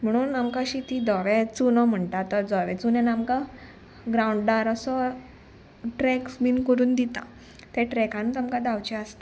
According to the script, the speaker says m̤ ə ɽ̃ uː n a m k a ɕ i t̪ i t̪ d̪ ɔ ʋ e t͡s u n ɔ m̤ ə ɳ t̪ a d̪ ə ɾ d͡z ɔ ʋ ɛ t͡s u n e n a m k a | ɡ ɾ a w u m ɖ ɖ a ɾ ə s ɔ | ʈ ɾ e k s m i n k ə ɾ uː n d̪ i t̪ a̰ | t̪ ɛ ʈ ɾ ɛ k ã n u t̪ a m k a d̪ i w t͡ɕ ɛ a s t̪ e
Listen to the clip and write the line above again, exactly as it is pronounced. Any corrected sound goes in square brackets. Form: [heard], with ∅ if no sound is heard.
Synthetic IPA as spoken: m̤ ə ɽ̃ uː n a m k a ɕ i t̪ i [∅] d̪ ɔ ʋ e t͡s u n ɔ m̤ ə ɳ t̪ a [t̪] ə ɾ d͡z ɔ ʋ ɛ t͡s u n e n a m k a | ɡ ɾ a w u [ɳ] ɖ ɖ a ɾ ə s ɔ | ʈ ɾ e k s m i n k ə ɾ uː n d̪ i t̪ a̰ | t̪ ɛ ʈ ɾ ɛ k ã n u t̪ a m k a d̪ [a] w t͡ɕ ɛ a s t̪ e